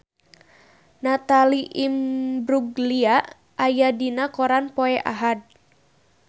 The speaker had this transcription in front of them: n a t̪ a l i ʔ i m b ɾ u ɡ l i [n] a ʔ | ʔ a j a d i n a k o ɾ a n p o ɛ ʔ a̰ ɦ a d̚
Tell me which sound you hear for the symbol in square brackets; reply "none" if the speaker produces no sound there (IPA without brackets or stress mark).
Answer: none